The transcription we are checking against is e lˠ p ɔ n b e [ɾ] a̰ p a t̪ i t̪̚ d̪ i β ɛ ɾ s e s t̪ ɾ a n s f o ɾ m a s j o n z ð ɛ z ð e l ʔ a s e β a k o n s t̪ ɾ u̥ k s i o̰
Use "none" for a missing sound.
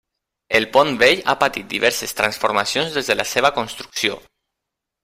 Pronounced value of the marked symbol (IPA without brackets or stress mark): ʎ